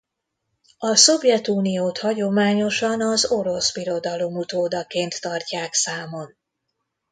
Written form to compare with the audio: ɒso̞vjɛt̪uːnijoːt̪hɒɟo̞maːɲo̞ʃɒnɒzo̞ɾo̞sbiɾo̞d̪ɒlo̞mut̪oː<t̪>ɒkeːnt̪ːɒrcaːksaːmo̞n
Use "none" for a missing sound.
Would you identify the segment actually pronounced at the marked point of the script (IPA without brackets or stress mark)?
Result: d̪